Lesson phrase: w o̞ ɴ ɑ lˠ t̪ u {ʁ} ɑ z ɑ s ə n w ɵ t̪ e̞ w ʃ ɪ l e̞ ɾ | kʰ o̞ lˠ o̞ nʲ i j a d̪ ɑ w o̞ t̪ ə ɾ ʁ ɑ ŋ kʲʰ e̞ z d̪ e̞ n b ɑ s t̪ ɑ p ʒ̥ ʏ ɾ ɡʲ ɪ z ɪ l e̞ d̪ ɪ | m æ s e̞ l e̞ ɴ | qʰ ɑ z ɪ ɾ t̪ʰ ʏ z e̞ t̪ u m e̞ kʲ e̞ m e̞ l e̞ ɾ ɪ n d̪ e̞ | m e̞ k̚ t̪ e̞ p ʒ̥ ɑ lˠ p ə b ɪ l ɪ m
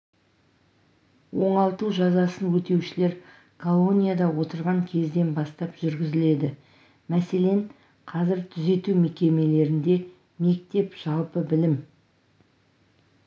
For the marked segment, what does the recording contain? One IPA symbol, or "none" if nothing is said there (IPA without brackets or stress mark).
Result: ʒ